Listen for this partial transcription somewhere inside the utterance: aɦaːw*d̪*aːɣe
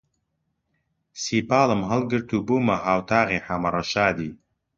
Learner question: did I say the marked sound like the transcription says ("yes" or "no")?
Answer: no